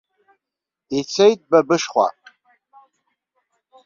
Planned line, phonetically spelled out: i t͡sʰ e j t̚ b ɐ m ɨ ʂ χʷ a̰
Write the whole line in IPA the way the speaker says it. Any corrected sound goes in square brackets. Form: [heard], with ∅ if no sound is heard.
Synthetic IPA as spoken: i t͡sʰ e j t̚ b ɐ [b] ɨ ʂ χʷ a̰